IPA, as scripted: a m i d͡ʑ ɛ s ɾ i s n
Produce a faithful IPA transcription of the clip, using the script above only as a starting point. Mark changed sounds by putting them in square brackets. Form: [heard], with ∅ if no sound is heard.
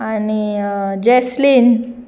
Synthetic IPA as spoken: a [n] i d͡ʑ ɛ s [l] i [∅] n